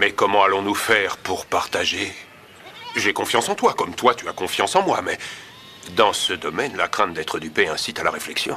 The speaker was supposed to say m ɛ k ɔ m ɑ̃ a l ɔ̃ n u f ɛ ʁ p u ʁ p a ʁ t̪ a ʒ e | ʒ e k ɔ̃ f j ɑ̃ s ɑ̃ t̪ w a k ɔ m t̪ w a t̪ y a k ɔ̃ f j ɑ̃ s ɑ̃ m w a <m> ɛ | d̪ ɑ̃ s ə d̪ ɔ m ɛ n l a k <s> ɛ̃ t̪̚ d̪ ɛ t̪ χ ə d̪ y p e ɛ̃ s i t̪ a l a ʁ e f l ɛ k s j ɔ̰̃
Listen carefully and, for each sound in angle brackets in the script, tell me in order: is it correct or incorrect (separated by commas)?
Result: correct, incorrect